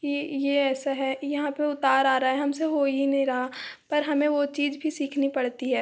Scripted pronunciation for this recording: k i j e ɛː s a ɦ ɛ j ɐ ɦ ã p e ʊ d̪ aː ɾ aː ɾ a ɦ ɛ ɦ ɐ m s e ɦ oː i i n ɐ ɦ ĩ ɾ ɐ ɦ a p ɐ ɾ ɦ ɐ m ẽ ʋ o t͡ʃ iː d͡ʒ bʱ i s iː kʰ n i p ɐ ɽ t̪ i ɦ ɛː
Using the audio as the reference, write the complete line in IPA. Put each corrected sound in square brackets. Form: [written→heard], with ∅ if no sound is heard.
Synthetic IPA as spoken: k i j e ɛː s a ɦ ɛ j ɐ ɦ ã p e ʊ [d̪→t̪] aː ɾ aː ɾ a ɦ ɛ ɦ ɐ m s e ɦ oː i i n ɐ ɦ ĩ ɾ ɐ ɦ a p ɐ ɾ ɦ ɐ m ẽ ʋ o t͡ʃ iː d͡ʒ bʱ i s iː kʰ n i p ɐ ɽ t̪ i ɦ ɛː

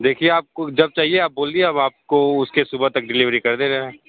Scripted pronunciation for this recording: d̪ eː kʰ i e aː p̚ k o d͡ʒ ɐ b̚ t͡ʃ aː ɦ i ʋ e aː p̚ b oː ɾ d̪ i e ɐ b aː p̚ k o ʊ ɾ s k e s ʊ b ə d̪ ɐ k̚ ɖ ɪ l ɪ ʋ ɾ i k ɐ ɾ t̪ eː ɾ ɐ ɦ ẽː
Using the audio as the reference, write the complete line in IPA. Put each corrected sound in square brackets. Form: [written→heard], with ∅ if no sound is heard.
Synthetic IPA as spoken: d̪ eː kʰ i e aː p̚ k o d͡ʒ ɐ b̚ t͡ʃ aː ɦ i [ʋ→∅] e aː p̚ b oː [ɾ→l] d̪ i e ɐ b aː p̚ k o ʊ [ɾ→∅] s k e s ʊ b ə [d̪→t̪] ɐ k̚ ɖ ɪ l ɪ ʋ ɾ i k ɐ ɾ [t̪→d̪] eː ɾ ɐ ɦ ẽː

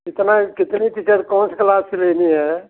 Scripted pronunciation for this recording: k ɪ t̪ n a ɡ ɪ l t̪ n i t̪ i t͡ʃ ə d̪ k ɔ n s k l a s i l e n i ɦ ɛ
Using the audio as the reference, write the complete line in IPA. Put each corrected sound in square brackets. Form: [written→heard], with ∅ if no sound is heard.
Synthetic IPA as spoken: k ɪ t̪ n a [ɡ→k] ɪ [l→∅] t̪ n i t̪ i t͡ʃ ə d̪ k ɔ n s k l a s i l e n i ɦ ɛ

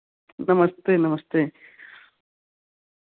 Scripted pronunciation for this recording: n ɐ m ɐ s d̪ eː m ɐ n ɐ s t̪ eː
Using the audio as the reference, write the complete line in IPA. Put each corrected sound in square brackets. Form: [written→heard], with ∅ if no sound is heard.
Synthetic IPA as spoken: n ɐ m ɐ s [d̪→t̪] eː [m→n] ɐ [n→m] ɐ s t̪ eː

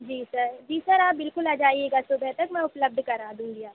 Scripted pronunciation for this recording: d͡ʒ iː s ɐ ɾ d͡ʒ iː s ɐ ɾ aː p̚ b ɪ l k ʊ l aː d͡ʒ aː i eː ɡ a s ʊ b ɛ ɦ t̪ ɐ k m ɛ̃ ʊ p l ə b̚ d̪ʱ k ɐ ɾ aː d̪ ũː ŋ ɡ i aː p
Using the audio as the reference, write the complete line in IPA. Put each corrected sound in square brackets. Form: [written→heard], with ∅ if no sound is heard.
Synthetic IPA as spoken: d͡ʒ iː s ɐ ɾ d͡ʒ iː s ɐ ɾ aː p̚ b ɪ l k ʊ l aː d͡ʒ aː i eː ɡ a s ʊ b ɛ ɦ t̪ ɐ k m ɛ̃ ʊ p l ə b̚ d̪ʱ k ɐ ɾ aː d̪ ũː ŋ ɡ i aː p

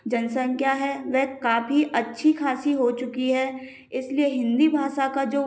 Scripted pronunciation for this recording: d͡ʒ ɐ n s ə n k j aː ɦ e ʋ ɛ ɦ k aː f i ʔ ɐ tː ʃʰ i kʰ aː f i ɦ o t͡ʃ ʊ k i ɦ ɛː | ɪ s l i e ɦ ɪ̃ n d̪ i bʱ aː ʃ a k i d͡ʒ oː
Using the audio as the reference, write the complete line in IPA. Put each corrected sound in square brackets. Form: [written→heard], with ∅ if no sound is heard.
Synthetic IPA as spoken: d͡ʒ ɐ n s ə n k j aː ɦ [e→ɛ] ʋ ɛ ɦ k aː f i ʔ ɐ tː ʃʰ i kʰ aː [f→s] i ɦ o t͡ʃ ʊ k i ɦ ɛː | ɪ s l i e ɦ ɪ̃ n d̪ i bʱ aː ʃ a k [i→a] d͡ʒ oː

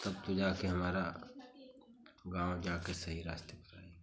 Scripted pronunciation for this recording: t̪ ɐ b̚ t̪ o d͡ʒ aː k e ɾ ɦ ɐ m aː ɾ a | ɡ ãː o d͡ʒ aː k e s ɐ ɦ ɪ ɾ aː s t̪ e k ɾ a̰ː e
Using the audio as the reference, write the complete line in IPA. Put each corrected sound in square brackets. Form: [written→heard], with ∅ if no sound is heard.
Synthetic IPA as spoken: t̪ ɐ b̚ t̪ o d͡ʒ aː k e [ɾ→∅] ɦ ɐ m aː ɾ a | ɡ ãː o d͡ʒ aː k e s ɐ ɦ [ɪ→i] ɾ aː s t̪ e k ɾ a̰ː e

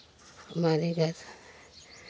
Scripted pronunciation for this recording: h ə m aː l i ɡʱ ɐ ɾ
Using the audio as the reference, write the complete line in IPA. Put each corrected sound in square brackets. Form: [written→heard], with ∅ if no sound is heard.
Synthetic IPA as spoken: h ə m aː [l→ɾ] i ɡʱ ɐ ɾ

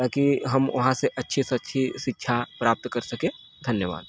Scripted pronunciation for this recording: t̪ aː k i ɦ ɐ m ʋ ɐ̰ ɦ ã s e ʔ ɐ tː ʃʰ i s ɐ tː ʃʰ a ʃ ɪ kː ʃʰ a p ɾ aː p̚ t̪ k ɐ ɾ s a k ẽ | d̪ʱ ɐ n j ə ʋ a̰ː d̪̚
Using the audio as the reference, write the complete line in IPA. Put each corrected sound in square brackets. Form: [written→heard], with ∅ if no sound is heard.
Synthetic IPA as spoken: t̪ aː k i ɦ ɐ m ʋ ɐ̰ ɦ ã s e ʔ ɐ tː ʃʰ i s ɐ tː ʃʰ [a→i] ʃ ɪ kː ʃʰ a p ɾ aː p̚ t̪ k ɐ ɾ s [a→ɐ] k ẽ | d̪ʱ ɐ n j ə ʋ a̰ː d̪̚

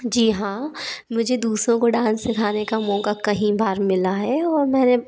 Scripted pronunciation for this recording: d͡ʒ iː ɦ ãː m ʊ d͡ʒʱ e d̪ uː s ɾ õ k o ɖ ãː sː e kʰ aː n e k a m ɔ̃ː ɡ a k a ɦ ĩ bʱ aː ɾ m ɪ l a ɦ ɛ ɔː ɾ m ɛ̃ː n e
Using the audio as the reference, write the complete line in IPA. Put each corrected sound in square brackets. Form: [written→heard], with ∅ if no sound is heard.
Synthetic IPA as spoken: d͡ʒ iː ɦ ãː m ʊ d͡ʒʱ e d̪ uː s ɾ õ k o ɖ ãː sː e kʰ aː n e k a m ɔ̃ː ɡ a k [a→ɐ] ɦ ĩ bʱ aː ɾ m ɪ l a ɦ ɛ ɔː ɾ m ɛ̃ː n e

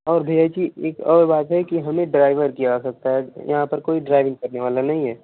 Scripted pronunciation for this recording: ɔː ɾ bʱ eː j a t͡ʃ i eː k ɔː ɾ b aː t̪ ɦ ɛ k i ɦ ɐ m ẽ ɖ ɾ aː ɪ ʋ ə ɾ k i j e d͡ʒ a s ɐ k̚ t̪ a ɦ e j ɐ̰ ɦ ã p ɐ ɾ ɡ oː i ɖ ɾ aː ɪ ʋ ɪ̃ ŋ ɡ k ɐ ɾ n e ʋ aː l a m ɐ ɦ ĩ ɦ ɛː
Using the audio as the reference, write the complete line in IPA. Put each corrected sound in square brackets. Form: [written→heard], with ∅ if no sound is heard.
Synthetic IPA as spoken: ɔː ɾ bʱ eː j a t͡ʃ i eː k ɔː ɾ b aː t̪ ɦ ɛ k i ɦ ɐ m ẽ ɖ ɾ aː ɪ ʋ ə ɾ k i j [e→a] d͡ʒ a s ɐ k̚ t̪ a ɦ [e→ɛ] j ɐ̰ ɦ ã p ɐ ɾ [ɡ→k] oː i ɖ ɾ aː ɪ ʋ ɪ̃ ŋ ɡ k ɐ ɾ n e ʋ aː l a [m→n] ɐ ɦ ĩ ɦ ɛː

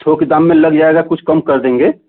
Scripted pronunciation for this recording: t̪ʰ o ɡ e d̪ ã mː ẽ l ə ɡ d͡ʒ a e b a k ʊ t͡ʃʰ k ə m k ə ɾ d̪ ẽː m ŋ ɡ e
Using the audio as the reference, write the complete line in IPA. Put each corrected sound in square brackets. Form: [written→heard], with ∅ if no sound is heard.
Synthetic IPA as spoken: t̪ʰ o [ɡ→k] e d̪ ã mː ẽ l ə ɡ d͡ʒ a e [b→ɡ] a k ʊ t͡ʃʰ k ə m k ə ɾ d̪ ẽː [m→∅] ŋ ɡ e

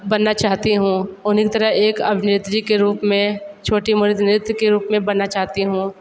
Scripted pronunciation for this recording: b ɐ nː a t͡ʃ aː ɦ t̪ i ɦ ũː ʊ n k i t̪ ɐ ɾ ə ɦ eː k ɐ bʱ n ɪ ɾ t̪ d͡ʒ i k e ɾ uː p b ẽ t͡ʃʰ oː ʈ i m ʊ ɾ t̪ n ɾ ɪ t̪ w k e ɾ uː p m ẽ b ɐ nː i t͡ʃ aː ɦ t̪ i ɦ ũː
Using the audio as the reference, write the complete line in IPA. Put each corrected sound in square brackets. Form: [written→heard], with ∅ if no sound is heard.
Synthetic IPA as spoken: b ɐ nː a t͡ʃ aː ɦ t̪ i ɦ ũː ʊ n k i t̪ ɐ ɾ ə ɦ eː k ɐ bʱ n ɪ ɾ t̪ d͡ʒ i k e ɾ uː p [b→m] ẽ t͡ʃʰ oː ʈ i m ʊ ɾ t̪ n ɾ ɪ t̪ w k e ɾ uː p m ẽ b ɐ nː [i→a] t͡ʃ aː ɦ t̪ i ɦ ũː

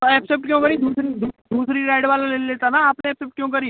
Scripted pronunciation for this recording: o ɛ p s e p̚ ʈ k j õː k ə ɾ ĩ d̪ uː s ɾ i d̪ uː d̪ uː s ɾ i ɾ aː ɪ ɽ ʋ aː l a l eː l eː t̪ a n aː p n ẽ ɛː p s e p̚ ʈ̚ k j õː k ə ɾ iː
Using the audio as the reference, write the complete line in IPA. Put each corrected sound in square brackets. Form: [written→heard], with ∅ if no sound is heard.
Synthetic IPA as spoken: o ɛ p s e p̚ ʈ k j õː k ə ɾ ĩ d̪ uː s ɾ i d̪ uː d̪ uː s ɾ i ɾ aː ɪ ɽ ʋ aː l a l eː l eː t̪ a n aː p n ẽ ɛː p s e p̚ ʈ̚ k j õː k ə ɾ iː

